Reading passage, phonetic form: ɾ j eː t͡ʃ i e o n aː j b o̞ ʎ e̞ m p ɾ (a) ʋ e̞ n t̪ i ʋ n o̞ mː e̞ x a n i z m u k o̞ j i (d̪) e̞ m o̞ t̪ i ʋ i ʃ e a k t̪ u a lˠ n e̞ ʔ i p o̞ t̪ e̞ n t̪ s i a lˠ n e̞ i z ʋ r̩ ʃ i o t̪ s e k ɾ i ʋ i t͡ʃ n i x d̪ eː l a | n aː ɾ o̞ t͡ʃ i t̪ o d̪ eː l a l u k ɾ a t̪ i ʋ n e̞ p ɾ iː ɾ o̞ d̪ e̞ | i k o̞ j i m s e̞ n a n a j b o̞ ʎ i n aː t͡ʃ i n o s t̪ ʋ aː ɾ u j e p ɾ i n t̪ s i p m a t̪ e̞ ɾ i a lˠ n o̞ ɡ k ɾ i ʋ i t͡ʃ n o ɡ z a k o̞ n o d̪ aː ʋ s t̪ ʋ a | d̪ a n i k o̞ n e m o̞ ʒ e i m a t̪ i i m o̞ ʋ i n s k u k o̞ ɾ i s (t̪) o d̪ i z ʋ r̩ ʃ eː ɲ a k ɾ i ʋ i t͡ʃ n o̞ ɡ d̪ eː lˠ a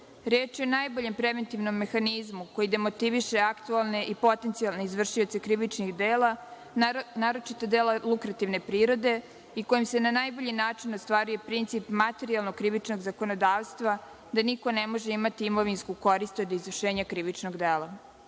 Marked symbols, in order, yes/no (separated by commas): no, yes, yes